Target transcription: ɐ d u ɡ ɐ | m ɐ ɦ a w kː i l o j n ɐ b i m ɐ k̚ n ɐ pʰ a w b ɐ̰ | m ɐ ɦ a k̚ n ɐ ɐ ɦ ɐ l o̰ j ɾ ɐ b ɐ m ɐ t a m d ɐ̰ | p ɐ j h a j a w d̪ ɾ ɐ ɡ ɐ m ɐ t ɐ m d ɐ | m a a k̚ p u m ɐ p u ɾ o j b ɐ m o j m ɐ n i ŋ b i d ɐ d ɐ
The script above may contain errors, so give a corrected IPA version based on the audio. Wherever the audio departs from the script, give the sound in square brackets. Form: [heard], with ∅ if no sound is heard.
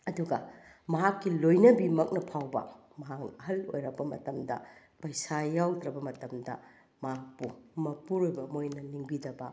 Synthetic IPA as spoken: ɐ d u ɡ ɐ | m ɐ ɦ a [∅] kː i l o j n ɐ b i m ɐ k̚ n ɐ pʰ a w b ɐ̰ | m ɐ ɦ a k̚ n ɐ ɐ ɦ ɐ l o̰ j ɾ ɐ b ɐ m ɐ t [ɐ] m d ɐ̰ | p ɐ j [s] a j a w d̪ ɾ ɐ [b] ɐ m ɐ t ɐ m d ɐ | m a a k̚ p u m ɐ p u ɾ o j b ɐ m o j [n] ɐ n i ŋ b i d ɐ [b] ɐ